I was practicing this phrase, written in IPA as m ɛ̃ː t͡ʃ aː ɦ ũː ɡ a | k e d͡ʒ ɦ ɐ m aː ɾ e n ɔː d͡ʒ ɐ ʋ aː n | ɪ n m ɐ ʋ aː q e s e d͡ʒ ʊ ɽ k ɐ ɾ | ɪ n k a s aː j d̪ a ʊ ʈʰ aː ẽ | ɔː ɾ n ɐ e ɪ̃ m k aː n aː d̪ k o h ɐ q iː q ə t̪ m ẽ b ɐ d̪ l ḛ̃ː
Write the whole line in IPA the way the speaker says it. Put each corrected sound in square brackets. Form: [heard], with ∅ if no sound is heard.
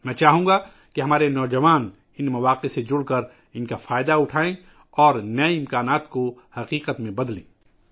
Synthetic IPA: m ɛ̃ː t͡ʃ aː ɦ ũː ɡ a | k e [∅] ɦ ɐ m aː ɾ e n ɔː d͡ʒ ɐ ʋ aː n | ɪ n m ɐ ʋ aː q e s e d͡ʒ ʊ ɽ k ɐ ɾ | ɪ n k a [f] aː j d̪ a ʊ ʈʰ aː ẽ | ɔː ɾ n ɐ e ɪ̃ m k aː n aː [t̪] k o h ɐ q iː q ə t̪ m ẽ b ɐ d̪ l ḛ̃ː